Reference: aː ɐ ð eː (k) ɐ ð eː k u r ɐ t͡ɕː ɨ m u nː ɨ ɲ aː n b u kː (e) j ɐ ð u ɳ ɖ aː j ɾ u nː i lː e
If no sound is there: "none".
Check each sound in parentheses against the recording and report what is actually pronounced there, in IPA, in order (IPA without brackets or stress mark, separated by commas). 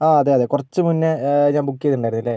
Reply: none, i